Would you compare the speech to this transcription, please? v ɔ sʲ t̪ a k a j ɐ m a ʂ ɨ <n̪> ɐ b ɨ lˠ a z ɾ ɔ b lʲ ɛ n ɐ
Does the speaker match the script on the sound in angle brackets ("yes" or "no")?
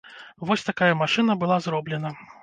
yes